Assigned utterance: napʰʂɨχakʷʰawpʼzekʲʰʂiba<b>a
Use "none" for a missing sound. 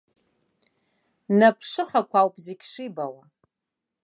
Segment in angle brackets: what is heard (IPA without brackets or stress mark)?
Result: w